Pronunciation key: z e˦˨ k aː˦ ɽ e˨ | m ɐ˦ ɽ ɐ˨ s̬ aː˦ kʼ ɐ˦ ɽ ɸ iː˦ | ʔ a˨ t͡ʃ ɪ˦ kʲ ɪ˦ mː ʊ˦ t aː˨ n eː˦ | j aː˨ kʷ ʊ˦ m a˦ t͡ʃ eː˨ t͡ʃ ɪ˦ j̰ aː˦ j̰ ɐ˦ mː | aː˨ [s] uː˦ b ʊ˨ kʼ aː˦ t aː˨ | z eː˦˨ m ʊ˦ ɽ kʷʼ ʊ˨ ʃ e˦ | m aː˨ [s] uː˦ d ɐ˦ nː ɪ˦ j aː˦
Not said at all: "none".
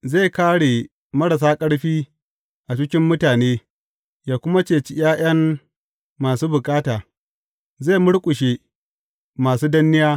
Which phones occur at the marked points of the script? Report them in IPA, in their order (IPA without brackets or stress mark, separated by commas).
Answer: s, s